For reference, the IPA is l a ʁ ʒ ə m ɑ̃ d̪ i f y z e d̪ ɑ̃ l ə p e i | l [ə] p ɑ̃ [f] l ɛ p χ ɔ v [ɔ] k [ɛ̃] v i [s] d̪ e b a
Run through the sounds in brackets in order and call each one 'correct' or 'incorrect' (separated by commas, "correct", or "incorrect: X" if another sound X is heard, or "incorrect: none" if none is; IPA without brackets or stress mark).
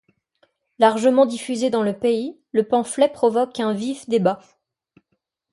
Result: correct, correct, correct, correct, incorrect: f